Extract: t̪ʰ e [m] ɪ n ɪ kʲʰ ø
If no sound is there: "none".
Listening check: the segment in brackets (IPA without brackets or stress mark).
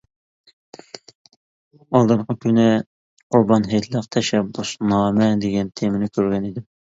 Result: m